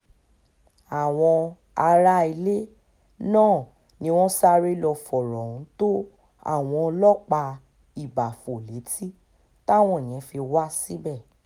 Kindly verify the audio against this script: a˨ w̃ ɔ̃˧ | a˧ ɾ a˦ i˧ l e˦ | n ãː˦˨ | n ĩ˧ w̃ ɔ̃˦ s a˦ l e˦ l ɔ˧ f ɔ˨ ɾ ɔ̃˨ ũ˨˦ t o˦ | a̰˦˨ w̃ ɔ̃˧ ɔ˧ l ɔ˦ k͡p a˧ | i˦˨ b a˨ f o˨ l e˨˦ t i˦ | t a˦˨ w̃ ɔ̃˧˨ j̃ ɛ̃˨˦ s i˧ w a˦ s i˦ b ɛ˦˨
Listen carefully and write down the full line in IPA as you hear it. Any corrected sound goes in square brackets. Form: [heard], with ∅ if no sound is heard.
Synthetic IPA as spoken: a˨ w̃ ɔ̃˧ | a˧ ɾ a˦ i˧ l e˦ | n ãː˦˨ | n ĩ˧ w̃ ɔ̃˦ s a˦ [ɾ] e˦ l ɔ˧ f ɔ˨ ɾ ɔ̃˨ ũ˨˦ t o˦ | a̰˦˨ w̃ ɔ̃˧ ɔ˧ l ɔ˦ k͡p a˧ | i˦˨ b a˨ f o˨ l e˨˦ t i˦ | t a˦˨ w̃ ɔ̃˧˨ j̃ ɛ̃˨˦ [f] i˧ w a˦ s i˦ b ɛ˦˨